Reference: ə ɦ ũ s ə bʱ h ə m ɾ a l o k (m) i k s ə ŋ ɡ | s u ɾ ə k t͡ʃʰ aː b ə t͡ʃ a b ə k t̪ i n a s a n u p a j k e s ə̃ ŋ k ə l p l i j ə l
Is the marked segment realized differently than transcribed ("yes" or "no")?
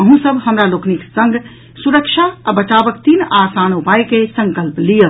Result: yes